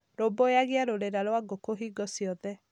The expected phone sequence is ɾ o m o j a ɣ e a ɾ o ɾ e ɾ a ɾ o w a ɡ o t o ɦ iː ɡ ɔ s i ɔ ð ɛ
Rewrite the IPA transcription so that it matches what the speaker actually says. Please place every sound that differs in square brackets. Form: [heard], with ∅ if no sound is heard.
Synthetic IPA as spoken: ɾ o [b] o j a ɣ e a ɾ o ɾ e ɾ a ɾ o w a ɡ o [k] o ɦ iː ɡ ɔ s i ɔ ð ɛ